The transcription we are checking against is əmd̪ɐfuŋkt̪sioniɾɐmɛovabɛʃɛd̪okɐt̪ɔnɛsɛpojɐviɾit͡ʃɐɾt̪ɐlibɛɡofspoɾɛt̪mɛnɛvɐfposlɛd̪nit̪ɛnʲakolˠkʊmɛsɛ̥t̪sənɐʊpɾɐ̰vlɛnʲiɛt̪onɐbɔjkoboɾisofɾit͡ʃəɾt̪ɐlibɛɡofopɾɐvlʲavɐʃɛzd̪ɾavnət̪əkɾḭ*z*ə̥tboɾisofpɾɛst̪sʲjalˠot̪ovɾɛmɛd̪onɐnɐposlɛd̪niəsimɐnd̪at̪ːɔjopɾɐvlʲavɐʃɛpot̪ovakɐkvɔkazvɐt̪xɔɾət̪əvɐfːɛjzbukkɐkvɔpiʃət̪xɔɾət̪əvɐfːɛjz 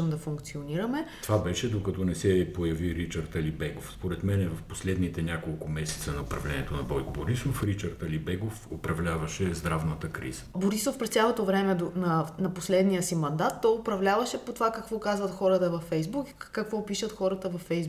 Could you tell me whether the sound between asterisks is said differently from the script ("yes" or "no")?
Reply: no